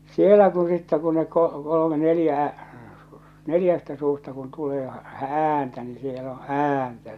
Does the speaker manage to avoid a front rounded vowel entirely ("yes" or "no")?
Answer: yes